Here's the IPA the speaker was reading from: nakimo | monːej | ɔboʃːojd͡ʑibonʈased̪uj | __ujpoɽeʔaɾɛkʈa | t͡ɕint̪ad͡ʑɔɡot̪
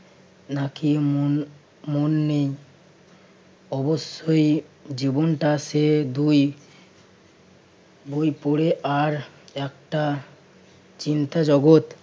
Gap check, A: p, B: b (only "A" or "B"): B